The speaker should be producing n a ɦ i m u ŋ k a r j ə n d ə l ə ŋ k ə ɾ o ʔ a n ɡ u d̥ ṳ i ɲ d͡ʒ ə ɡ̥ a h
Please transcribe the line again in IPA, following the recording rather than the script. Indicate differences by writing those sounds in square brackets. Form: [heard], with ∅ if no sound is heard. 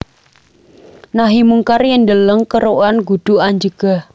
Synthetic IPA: n a ɦ i m u ŋ k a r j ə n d ə l ə ŋ k ə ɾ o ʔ a n ɡ u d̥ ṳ [a] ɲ d͡ʒ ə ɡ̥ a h